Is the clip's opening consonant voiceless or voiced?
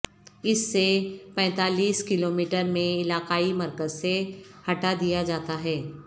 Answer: voiceless